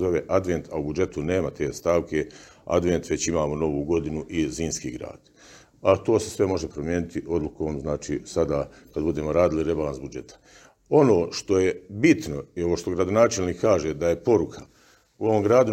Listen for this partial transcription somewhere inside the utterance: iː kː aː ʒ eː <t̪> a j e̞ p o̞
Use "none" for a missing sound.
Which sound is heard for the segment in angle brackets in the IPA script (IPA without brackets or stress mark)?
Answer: d̪